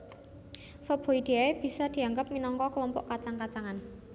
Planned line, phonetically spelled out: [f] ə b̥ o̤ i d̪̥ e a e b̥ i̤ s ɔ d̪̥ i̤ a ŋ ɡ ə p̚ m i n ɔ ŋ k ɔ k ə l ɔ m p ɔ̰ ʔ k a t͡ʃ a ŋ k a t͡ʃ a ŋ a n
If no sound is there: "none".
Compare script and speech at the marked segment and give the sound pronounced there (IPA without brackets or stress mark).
f